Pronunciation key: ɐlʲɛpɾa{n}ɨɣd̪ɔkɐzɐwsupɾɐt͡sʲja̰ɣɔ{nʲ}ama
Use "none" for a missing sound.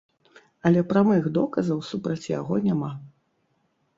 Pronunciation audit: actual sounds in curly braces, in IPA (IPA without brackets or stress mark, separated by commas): m, nʲ